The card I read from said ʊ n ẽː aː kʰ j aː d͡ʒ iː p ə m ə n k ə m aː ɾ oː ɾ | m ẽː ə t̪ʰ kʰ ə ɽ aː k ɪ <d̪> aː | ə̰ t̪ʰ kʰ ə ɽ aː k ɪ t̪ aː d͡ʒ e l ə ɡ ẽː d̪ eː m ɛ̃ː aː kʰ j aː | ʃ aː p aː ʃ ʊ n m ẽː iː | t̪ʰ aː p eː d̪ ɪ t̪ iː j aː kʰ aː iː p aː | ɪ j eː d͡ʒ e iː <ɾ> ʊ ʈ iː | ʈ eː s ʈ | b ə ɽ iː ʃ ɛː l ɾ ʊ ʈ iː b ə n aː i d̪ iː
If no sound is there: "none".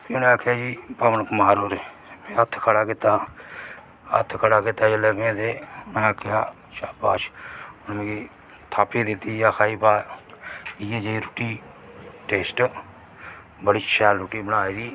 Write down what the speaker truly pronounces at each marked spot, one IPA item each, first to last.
t̪, ɾ

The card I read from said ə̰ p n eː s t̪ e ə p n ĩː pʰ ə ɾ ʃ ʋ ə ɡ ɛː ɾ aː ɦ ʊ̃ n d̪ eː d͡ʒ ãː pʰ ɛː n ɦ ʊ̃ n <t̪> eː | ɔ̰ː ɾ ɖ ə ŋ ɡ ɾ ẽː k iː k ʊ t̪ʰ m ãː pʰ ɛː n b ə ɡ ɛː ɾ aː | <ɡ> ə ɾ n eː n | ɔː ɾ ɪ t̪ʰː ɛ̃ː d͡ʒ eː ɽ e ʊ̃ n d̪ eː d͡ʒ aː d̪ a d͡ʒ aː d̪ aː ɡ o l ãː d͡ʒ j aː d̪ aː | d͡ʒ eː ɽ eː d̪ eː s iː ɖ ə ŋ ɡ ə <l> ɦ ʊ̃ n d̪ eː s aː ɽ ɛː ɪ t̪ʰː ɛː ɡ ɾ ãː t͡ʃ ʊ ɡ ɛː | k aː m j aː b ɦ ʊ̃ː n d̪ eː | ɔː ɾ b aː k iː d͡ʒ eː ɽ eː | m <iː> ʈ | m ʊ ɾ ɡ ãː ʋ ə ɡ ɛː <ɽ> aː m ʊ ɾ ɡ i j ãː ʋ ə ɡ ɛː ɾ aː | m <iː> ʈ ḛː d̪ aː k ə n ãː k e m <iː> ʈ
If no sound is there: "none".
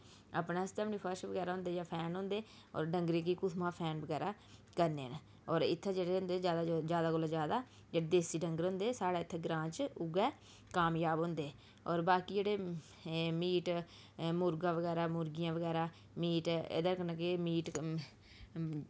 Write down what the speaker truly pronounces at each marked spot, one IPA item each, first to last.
d̪, k, ɾ, iː, ɾ, iː, iː

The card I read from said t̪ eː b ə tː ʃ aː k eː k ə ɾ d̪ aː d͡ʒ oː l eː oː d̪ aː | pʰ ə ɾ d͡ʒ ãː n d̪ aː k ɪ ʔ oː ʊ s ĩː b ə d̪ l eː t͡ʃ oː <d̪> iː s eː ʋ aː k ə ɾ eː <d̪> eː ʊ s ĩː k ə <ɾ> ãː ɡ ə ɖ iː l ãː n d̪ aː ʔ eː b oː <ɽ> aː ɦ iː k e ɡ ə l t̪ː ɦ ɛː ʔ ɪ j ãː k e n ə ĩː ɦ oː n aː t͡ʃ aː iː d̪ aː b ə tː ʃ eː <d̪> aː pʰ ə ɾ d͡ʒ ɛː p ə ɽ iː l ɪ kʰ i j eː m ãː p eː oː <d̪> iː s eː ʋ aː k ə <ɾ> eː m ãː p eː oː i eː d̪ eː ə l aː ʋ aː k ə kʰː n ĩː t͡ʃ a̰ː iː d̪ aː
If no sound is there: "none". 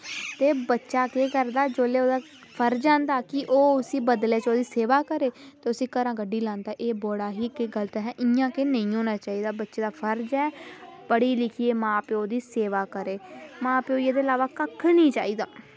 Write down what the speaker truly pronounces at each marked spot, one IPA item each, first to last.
d̪, t̪, ɾ, ɽ, d̪, d̪, ɾ

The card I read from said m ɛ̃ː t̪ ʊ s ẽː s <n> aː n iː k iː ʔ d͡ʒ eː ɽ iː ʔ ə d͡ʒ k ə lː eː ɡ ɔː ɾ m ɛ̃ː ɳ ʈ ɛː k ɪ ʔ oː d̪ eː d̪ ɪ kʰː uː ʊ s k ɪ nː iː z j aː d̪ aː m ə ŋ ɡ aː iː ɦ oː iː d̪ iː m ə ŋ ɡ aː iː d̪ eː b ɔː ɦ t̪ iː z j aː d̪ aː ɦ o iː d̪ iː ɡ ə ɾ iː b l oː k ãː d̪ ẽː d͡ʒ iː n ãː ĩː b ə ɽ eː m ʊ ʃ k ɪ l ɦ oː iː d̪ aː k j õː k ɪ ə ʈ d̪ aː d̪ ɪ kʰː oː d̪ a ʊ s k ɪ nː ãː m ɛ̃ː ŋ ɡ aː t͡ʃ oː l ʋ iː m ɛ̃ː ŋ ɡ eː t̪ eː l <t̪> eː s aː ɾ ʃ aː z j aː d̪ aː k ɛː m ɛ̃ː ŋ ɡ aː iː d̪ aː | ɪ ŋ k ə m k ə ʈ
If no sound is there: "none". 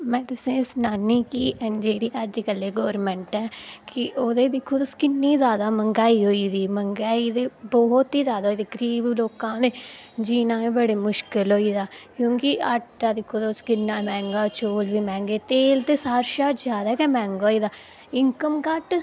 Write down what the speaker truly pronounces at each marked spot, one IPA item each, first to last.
n, t̪

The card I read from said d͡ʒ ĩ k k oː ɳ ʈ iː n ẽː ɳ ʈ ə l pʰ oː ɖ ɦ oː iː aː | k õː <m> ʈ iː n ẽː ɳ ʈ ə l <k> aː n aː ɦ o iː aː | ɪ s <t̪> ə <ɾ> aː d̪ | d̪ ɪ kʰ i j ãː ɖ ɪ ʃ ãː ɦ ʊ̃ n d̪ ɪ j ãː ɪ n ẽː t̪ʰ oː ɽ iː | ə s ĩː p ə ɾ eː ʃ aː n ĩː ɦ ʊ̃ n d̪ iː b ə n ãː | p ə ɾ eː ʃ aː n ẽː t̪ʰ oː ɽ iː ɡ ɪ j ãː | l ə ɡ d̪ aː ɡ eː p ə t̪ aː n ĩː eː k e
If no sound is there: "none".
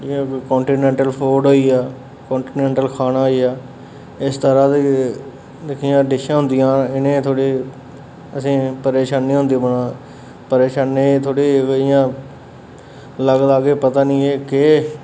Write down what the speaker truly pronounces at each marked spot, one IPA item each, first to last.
ɳ, kʰ, t̪, ɾ

